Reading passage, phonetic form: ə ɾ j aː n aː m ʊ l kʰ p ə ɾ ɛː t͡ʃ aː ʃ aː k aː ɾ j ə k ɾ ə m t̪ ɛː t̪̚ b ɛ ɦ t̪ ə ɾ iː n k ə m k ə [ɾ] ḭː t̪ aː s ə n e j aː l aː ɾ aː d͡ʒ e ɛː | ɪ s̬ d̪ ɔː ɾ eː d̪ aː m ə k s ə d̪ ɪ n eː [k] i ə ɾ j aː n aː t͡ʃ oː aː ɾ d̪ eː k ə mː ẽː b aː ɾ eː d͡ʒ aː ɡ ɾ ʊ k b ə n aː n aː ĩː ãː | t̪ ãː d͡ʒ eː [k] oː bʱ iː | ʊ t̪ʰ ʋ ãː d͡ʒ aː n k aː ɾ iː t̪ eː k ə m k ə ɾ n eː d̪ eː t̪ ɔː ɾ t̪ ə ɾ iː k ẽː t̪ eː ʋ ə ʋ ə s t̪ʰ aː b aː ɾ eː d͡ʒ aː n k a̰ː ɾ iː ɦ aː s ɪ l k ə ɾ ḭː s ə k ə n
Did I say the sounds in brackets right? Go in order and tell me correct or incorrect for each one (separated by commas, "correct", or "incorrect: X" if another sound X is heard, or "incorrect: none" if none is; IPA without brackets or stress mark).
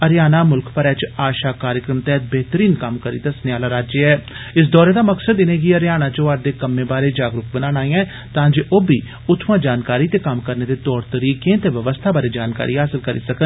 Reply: correct, incorrect: ɡ, incorrect: ʔ